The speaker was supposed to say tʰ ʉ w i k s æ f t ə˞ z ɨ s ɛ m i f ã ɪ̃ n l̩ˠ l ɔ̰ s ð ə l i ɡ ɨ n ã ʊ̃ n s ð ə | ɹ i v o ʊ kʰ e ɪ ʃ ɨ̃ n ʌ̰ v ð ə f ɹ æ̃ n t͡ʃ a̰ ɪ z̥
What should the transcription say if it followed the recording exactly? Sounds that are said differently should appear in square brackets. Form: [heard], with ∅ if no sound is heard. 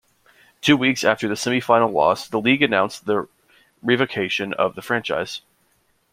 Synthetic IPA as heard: tʰ ʉ w i k s æ f t ə˞ [ð] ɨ s ɛ m i f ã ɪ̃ n l̩ˠ l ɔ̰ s ð ə l i ɡ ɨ n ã ʊ̃ n s ð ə | ɹ i v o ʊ kʰ e ɪ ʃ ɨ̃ n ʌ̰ v ð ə f ɹ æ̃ n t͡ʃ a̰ ɪ z̥